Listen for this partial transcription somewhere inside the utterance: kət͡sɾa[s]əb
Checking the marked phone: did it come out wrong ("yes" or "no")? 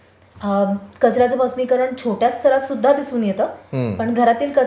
yes